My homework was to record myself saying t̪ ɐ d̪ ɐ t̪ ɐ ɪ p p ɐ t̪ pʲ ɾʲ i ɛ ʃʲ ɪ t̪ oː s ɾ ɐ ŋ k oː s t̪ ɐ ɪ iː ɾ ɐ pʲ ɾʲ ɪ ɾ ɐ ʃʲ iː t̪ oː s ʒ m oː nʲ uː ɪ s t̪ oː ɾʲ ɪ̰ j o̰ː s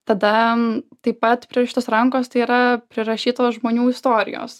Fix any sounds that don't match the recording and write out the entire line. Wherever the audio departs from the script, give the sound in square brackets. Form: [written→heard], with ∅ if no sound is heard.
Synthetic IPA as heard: t̪ ɐ d̪ ɐ t̪ ɐ ɪ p p ɐ t̪ pʲ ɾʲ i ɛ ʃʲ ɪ t̪ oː s ɾ ɐ ŋ k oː s t̪ ɐ ɪ iː ɾ ɐ pʲ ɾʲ ɪ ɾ ɐ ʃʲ iː t̪ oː s ʒ m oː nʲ uː ɪ s t̪ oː ɾʲ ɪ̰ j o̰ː s